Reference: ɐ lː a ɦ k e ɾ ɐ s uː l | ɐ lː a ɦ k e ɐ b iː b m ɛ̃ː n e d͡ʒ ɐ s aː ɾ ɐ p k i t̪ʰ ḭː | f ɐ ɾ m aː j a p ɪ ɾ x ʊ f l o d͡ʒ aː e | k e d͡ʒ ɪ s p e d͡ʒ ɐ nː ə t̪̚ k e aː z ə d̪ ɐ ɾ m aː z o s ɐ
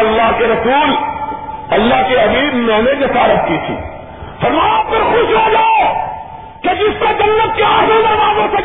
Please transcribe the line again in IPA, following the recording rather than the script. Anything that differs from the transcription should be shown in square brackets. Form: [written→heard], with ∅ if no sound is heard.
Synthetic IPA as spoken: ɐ lː a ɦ k e ɾ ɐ s uː l | ɐ lː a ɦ k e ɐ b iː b m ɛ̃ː n e d͡ʒ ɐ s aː ɾ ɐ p k i t̪ʰ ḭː | f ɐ ɾ m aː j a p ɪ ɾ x ʊ [f→ʃ] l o d͡ʒ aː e | k e d͡ʒ ɪ s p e d͡ʒ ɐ nː ə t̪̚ k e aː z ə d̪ ɐ ɾ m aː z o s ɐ